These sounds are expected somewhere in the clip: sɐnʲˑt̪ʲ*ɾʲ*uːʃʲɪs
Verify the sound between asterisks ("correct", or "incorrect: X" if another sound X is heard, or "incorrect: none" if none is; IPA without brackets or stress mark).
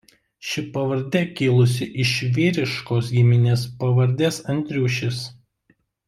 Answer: correct